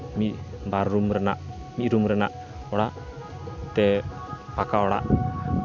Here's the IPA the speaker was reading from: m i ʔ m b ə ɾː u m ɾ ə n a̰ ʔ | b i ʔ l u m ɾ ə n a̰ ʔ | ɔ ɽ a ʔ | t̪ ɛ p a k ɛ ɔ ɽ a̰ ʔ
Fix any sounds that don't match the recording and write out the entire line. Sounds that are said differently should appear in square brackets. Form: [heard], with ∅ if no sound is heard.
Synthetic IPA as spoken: m i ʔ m b [a] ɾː u m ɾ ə n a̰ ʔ | [m] i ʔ [ɾ] u m ɾ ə n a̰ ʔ | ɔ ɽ a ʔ | t̪ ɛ p a k [a] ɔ ɽ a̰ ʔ